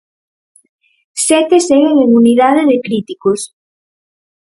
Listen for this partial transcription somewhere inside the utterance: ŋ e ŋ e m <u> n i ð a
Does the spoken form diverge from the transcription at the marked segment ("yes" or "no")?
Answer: no